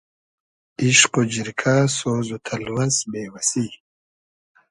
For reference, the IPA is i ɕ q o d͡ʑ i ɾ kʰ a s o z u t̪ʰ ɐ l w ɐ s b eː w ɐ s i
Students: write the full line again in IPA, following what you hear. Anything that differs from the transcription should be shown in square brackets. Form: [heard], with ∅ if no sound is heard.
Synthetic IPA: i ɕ q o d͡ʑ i ɾ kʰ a s o z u t̪ʰ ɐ l w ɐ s b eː w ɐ s i